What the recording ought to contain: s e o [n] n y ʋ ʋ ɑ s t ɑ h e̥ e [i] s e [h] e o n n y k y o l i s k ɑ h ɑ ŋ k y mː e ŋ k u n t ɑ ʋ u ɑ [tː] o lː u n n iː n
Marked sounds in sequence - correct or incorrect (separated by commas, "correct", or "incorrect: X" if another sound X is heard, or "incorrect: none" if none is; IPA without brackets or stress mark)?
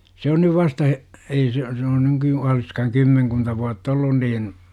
correct, correct, incorrect: s, correct